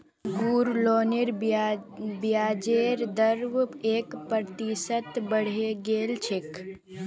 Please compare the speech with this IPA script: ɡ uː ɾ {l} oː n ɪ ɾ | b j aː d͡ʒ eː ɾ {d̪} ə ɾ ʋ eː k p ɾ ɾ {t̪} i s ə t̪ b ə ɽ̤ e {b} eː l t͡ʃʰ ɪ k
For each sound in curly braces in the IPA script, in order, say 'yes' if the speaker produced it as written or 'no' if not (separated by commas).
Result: yes, yes, yes, no